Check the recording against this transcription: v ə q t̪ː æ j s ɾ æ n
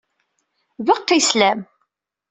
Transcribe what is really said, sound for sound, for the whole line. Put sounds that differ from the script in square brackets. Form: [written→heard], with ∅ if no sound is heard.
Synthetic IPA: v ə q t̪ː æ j s [ɾ→l] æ [n→m]